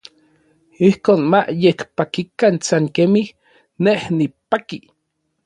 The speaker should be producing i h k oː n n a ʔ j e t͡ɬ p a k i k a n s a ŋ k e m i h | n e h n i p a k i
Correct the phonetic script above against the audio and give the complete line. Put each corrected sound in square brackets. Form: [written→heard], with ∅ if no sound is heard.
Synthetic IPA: i h k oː n [n→m] a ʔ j e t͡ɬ p a k i k a n s a ŋ k e m i h | n e h n i p a k i